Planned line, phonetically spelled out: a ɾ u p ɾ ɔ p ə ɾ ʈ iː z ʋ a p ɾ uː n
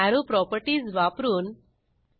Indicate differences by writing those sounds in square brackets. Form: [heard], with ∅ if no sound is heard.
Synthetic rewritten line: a ɾ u p ɾ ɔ p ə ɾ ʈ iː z ʋ a p ɾ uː n